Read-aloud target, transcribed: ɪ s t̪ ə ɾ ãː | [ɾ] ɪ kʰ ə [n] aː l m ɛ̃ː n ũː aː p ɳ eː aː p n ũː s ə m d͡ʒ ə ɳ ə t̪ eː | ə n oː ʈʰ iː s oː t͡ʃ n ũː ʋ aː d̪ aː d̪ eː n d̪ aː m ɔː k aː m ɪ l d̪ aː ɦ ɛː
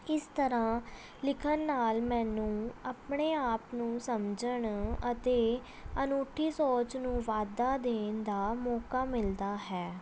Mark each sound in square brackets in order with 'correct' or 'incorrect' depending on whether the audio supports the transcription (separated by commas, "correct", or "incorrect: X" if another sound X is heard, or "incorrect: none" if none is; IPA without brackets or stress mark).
incorrect: l, incorrect: nː